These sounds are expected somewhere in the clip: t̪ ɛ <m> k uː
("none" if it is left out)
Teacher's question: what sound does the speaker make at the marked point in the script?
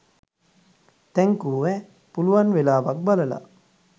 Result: ŋ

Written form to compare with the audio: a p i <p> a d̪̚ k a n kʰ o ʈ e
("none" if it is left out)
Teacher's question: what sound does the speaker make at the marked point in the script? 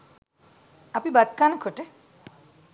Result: b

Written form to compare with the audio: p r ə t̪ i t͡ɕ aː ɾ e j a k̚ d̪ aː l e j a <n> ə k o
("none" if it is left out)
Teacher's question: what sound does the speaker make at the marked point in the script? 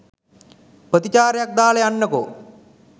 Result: nː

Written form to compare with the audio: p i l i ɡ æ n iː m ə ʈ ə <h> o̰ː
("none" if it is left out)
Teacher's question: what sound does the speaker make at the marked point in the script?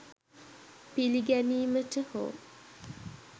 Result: h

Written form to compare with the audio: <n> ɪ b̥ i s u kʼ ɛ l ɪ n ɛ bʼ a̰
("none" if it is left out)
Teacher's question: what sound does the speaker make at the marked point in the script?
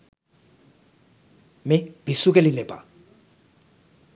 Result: m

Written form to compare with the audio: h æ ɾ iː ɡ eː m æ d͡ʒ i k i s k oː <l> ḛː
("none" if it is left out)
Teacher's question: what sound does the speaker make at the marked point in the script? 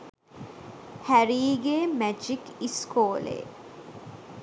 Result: l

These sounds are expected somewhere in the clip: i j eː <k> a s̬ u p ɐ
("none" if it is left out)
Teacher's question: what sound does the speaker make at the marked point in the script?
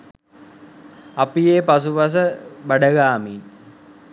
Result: p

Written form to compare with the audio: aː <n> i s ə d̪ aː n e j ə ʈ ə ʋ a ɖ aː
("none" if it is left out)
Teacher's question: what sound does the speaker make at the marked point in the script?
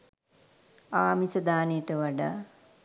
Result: m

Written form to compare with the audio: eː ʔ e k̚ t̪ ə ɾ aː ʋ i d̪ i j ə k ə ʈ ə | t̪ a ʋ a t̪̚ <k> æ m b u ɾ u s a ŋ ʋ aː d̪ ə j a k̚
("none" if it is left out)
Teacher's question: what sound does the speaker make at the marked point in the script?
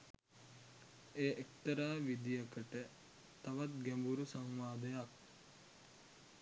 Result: ɡ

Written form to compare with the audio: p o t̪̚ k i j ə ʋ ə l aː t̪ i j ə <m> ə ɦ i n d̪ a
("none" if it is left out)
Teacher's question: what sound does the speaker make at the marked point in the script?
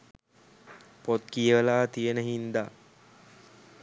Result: n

